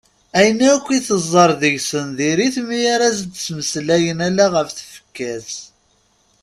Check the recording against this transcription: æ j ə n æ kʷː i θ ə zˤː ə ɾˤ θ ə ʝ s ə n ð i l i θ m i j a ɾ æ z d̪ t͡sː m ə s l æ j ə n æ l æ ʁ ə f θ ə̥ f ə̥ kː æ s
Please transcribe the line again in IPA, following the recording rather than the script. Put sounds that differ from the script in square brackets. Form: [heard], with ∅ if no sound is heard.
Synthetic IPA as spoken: æ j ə n æ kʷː i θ ə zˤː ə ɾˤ [ð] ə ʝ s ə n ð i [ɾ] i θ m i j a ɾ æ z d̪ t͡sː m ə s l æ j ə n æ l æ ʁ ə f θ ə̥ f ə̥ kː æ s